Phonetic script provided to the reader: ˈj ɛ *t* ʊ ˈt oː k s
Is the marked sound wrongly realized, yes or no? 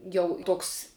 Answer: yes